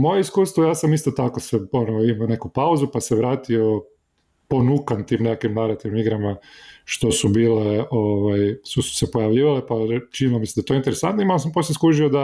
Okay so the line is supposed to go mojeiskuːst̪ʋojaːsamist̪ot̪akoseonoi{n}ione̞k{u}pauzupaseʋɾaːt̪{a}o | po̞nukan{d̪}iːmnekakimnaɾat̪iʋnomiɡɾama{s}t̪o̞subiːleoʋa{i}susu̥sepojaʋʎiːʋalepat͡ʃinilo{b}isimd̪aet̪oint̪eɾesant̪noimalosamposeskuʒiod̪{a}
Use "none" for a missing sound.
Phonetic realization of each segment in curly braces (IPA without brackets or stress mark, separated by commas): m, u, i, t̪, ʃ, j, m, a